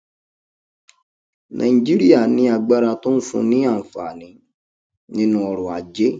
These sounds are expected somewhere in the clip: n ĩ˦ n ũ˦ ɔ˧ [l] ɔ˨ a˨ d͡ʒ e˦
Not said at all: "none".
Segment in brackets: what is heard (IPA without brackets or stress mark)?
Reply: ɾ